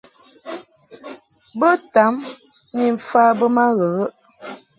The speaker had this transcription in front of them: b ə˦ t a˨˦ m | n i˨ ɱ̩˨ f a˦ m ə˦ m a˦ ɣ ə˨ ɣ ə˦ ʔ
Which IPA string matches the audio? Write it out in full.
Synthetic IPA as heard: b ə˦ t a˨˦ m | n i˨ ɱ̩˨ f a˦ b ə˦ m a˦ ɣ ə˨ ɣ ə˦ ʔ